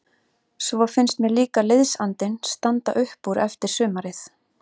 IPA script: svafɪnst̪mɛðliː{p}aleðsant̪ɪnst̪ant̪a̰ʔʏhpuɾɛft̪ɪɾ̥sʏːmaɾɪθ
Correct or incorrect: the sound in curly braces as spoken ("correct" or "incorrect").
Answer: incorrect